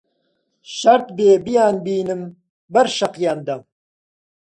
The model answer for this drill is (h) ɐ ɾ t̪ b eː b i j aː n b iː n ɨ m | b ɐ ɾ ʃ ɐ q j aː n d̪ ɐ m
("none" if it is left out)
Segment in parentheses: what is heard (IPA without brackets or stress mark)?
ʃ